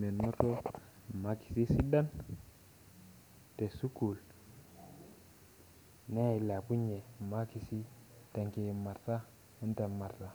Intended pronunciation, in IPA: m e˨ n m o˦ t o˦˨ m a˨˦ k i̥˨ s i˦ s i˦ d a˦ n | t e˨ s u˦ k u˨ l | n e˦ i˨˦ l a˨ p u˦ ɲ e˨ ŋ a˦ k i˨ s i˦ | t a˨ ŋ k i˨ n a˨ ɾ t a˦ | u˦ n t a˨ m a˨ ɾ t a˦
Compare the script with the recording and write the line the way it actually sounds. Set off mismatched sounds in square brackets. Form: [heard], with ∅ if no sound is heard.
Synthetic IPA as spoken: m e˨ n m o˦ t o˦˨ m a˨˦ k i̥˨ s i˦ s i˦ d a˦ n | t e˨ s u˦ k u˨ l | n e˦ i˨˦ l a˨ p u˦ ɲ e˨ [m] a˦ k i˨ s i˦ | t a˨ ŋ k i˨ [m] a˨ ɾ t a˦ | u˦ n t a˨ m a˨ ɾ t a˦